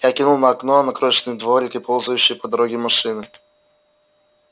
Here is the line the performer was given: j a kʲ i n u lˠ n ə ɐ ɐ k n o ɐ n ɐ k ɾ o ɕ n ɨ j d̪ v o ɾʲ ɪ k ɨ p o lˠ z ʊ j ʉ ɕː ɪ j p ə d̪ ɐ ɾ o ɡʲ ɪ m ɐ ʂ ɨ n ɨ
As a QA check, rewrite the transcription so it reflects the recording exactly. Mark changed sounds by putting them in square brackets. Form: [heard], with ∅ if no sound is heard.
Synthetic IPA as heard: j a kʲ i n u lˠ n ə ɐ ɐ k n o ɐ n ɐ k ɾ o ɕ n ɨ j d̪ v o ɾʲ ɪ k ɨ p o lˠ z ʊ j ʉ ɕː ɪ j p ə d̪ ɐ ɾ o ɡʲ ɪ m ɐ ʂ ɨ n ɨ